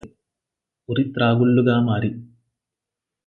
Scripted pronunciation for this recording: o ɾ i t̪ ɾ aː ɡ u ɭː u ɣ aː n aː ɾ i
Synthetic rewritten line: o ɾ i t̪ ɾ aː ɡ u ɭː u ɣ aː m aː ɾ i